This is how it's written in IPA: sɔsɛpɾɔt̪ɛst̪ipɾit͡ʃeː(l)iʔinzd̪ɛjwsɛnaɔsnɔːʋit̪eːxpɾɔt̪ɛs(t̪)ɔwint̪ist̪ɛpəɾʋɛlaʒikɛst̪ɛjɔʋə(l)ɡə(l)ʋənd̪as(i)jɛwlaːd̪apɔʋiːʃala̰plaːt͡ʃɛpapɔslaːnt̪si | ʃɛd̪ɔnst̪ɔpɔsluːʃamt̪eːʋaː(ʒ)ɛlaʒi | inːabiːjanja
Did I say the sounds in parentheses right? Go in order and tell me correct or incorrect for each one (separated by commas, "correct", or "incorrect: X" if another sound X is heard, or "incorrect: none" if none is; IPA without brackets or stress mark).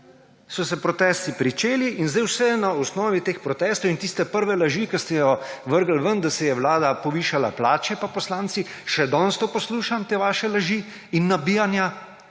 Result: correct, correct, incorrect: ɾ, correct, incorrect: ɛ, incorrect: ʃ